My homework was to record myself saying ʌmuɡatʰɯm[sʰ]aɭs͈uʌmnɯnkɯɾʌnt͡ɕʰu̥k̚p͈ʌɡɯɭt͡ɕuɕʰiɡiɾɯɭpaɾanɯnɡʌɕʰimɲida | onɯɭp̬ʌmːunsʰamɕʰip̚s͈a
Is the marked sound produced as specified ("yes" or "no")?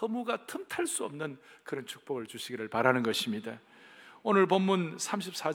no